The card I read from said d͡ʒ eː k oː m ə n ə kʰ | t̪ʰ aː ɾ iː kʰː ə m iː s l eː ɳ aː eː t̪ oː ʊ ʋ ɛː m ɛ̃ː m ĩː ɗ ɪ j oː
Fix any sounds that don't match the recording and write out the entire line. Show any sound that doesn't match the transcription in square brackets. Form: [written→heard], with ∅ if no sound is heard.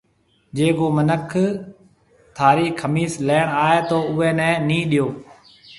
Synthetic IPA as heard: d͡ʒ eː k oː m ə n ə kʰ | t̪ʰ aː ɾ iː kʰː ə m iː s l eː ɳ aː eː t̪ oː ʊ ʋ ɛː [m→n] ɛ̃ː [m→n] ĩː ɗ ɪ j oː